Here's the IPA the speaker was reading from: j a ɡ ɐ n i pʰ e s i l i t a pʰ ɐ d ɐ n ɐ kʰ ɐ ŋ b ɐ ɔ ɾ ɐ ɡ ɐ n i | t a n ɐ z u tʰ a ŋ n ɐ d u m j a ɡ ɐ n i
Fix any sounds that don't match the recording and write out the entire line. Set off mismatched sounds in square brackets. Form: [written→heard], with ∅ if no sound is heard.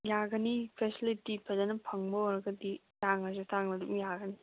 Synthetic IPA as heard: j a ɡ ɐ n i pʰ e s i l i t [a→i] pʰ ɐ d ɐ n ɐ [kʰ→pʰ] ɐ ŋ b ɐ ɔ ɾ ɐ ɡ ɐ [n→d] i | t a [n→ŋ] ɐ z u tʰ a ŋ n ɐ d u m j a ɡ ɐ n i

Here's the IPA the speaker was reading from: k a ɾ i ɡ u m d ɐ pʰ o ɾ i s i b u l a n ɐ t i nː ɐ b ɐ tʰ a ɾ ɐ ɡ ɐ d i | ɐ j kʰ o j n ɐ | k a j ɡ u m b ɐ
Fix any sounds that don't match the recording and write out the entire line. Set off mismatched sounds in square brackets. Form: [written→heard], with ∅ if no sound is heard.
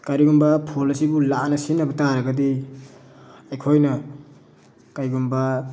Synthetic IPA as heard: k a ɾ i ɡ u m [d→b] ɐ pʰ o [ɾ→l] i s i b u l a n ɐ [t→s] i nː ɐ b ɐ [tʰ→t] a ɾ ɐ ɡ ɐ d i | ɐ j kʰ o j n ɐ | k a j ɡ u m b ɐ

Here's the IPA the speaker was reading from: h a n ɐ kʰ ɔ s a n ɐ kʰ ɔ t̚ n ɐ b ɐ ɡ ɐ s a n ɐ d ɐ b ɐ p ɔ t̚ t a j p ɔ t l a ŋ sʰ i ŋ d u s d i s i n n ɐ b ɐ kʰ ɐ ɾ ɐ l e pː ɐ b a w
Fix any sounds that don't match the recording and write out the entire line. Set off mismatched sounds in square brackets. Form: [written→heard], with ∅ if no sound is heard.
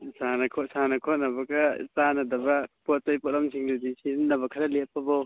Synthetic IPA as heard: [h→s] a n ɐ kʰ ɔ s a n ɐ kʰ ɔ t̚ n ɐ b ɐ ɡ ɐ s a n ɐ d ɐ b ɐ p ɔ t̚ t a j p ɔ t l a [ŋ→m] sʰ i ŋ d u [s→∅] d i s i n n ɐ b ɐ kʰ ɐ ɾ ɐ l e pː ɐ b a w

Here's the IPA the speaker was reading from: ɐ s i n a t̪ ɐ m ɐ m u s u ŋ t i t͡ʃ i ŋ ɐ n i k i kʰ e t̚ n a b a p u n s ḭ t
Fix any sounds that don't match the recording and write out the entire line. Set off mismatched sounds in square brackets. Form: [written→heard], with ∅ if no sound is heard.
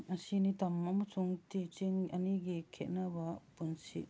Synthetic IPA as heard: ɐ s i n [a→i] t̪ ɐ m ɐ m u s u ŋ t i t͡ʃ i ŋ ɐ n i [k→ɡ] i kʰ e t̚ n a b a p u n s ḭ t

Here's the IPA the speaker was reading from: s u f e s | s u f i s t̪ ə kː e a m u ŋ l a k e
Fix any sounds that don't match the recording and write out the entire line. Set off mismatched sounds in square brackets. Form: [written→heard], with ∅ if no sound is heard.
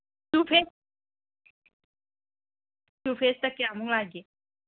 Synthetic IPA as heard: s u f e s | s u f [i→e] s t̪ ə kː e a m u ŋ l a [k→ɡ] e

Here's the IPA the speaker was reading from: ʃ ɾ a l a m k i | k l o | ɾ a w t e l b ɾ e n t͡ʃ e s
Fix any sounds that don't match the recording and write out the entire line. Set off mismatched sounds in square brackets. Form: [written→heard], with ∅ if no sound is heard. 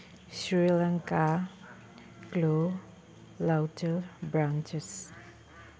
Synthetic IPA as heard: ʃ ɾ [a→i] l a [m→ŋ] k [i→a] | k l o | [ɾ→l] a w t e l b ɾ [e→a] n t͡ʃ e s

